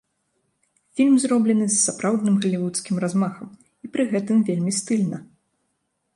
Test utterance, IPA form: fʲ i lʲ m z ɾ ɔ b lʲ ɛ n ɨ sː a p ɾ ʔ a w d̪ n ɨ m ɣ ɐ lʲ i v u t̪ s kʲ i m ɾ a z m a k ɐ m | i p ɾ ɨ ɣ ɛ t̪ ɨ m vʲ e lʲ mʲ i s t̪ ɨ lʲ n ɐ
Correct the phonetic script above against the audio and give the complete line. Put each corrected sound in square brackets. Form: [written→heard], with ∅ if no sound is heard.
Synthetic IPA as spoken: fʲ i lʲ m z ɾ ɔ b lʲ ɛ n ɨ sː a p ɾ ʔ a w d̪ n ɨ m ɣ ɐ lʲ i v u t̪ s kʲ i m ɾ a z m a [k→x] ɐ m | i p ɾ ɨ ɣ ɛ t̪ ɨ m vʲ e lʲ mʲ i s t̪ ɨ lʲ n ɐ